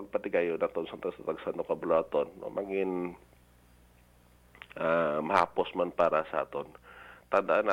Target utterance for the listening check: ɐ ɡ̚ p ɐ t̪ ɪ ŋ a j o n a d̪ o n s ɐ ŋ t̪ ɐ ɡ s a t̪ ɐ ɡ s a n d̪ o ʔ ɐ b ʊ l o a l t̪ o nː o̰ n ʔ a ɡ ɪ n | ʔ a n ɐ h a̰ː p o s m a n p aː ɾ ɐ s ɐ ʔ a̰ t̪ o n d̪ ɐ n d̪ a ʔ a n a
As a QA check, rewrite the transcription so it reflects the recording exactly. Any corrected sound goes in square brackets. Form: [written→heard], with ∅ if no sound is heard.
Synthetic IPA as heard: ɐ ɡ̚ p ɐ t̪ ɪ [ŋ→ɡ] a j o n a [d̪→t̪] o n s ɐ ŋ t̪ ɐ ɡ s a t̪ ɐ ɡ s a n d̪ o [ʔ→k] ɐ b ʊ l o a [l→∅] t̪ o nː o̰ [n→m] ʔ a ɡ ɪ n | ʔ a [n→m] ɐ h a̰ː p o s m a n p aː ɾ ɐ s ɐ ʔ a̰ t̪ o n [d̪→t̪] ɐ n d̪ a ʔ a n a